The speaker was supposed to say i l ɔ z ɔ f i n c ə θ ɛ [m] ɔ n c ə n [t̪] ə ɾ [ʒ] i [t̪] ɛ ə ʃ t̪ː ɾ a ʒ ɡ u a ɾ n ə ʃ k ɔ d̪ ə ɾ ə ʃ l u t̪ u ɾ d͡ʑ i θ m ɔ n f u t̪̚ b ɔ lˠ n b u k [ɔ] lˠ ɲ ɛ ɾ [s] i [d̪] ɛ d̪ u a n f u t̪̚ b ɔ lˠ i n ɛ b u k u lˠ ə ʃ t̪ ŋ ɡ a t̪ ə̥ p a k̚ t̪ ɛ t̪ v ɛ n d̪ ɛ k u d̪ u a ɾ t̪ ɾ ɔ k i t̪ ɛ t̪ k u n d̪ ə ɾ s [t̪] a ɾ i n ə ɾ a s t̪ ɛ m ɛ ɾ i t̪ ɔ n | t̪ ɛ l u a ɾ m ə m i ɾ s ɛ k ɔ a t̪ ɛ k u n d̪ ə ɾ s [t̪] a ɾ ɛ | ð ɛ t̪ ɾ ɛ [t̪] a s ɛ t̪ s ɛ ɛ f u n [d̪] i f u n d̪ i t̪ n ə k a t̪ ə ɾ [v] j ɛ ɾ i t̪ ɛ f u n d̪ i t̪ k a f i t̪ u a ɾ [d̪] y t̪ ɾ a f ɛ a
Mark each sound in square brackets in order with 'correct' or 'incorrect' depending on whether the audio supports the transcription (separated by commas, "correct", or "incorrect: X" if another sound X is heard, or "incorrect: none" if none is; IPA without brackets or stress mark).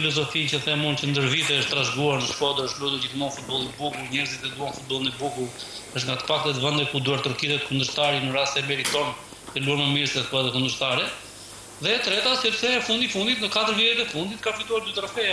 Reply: correct, incorrect: d̪, incorrect: v, correct, incorrect: u, incorrect: z, incorrect: t̪, correct, correct, correct, correct, correct, correct